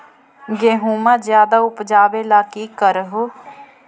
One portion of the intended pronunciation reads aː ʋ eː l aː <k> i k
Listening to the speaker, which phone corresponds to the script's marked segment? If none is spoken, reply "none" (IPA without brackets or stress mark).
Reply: k